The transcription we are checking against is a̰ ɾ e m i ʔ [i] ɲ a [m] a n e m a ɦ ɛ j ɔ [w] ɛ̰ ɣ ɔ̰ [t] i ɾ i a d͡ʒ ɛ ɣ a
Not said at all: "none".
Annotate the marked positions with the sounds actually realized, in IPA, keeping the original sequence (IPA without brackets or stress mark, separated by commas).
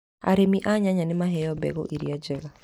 a, ɲ, b, ʔ